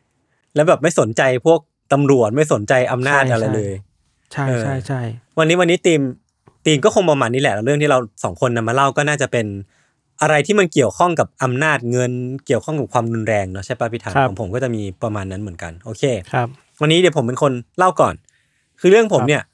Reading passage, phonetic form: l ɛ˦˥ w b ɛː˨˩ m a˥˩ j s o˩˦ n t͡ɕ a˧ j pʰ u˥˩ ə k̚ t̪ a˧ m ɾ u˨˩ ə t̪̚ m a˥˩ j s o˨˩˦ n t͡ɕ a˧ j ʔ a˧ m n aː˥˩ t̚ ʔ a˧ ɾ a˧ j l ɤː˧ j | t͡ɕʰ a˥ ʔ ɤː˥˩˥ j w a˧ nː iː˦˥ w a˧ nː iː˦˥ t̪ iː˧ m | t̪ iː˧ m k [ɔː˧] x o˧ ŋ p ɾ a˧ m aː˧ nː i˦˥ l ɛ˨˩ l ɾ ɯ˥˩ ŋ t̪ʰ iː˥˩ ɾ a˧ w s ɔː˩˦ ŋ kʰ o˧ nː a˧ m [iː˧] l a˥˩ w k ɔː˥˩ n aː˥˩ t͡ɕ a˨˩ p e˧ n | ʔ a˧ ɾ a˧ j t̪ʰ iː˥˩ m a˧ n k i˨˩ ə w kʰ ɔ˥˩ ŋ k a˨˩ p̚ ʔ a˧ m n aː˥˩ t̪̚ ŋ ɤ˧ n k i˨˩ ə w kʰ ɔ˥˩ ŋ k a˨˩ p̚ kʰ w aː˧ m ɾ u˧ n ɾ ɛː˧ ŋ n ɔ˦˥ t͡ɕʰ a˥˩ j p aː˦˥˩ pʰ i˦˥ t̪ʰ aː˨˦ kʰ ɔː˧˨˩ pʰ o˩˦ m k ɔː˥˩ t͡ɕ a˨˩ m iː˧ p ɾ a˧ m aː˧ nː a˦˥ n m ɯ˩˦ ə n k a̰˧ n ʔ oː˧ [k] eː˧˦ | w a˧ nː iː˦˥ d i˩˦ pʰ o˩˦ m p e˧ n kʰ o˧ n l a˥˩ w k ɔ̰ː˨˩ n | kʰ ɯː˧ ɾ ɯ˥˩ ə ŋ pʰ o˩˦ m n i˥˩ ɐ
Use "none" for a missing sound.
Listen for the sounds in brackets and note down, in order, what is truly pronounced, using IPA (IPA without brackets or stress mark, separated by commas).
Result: ɔː˥˩, aː˧, kʰ